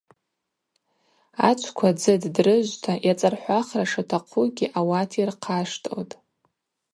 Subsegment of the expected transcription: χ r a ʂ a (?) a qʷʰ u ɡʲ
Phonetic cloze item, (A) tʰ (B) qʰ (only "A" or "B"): A